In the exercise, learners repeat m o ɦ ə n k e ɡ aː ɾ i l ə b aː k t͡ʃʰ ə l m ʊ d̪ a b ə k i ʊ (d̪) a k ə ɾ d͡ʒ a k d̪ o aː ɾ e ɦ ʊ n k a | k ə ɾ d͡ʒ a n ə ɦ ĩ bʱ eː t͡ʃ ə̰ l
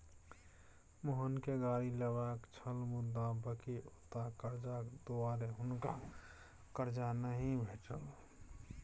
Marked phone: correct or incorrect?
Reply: incorrect